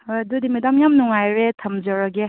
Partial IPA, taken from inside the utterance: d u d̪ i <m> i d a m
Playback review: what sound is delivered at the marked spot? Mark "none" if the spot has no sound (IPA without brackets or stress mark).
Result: m